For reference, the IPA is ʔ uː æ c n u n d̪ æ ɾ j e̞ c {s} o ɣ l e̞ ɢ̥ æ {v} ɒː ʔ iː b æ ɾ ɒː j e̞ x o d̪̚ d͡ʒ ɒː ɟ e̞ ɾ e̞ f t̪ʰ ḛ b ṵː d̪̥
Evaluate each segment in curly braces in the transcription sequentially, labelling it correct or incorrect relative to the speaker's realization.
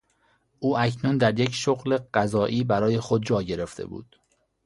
incorrect: ʃ, incorrect: z

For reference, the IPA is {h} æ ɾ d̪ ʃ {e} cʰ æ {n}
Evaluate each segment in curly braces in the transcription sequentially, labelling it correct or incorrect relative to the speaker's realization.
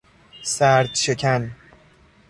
incorrect: s, correct, correct

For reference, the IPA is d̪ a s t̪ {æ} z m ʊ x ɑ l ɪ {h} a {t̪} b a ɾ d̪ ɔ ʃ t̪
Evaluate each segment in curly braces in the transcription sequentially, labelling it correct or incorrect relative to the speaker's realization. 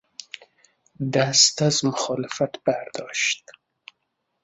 incorrect: a, incorrect: f, correct

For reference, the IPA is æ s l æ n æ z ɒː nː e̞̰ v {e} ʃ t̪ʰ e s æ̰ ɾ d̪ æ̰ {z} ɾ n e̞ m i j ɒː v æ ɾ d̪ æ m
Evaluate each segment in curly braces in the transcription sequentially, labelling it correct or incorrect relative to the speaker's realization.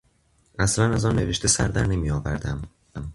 correct, incorrect: none

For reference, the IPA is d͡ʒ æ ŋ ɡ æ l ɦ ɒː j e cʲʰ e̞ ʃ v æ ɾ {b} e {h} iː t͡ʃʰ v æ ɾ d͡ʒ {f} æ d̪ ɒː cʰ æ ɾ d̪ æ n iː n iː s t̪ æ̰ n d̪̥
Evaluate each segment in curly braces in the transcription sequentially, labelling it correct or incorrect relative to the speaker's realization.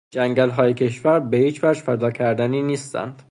correct, correct, correct

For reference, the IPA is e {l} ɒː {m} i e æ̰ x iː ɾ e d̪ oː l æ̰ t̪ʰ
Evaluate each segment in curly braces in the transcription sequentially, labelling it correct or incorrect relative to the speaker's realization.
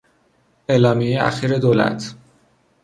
correct, correct

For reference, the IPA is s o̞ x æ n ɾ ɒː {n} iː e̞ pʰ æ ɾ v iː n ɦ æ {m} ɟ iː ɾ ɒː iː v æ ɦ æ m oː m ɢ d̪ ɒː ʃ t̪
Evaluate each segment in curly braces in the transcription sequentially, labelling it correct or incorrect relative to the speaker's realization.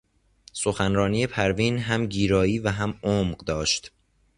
correct, correct

